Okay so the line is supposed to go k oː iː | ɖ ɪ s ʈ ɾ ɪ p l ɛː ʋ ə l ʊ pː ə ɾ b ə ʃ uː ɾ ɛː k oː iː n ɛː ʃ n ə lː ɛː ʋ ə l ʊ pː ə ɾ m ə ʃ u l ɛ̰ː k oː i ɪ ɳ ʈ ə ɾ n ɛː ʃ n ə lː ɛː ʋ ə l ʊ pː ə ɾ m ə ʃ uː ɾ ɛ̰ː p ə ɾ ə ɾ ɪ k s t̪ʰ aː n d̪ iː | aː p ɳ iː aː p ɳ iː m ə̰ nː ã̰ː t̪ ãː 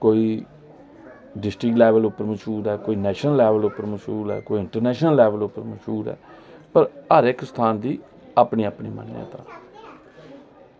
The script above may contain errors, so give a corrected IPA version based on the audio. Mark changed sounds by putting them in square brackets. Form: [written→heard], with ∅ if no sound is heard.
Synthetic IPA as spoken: k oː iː | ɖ ɪ s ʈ ɾ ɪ [p→k] l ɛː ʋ ə l ʊ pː ə ɾ [b→m] ə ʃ uː ɾ ɛː k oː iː n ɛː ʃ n ə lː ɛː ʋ ə l ʊ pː ə ɾ m ə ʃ [u→uː] l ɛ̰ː k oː i ɪ ɳ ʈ ə ɾ n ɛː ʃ n ə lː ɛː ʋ ə l ʊ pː ə ɾ m ə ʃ uː ɾ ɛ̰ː p ə ɾ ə ɾ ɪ k s t̪ʰ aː n d̪ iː | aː p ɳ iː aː p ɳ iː m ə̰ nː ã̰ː t̪ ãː